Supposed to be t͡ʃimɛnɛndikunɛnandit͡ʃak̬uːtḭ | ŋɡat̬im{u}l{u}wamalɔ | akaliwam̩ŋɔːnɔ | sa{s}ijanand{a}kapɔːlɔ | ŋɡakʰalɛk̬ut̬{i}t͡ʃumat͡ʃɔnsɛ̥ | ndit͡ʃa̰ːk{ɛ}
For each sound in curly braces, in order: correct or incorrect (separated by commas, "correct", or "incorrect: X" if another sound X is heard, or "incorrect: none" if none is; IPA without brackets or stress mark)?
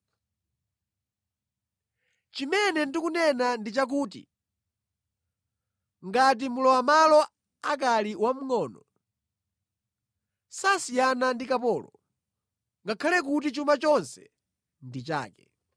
correct, incorrect: ɔ, correct, incorrect: i, correct, correct